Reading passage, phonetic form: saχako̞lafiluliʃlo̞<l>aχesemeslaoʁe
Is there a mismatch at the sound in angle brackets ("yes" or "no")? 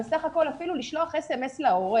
yes